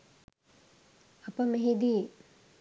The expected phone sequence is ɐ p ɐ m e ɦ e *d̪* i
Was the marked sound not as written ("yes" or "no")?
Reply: no